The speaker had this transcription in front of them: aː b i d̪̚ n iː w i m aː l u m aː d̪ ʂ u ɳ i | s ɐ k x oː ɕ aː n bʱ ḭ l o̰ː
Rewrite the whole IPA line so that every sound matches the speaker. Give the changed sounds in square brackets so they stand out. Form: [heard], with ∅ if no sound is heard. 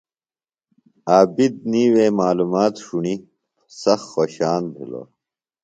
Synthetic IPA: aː b i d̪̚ n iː w [e] m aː l u m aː [t̪] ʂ u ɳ i | s ɐ [x] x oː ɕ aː n bʱ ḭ l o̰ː